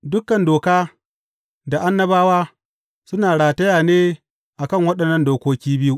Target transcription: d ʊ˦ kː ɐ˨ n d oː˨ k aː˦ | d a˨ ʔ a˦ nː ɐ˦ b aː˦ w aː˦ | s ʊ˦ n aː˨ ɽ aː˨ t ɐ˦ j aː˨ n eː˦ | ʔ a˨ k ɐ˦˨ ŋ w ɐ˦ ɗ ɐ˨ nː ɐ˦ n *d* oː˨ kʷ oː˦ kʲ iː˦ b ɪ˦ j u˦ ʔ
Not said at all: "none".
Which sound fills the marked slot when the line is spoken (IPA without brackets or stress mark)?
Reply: d